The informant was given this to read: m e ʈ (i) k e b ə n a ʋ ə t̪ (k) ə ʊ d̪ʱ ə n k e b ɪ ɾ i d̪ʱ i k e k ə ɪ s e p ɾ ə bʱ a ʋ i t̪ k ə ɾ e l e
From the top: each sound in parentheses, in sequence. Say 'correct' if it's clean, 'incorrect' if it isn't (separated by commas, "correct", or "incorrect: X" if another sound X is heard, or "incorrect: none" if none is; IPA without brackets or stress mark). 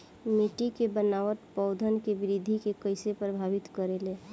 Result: correct, incorrect: p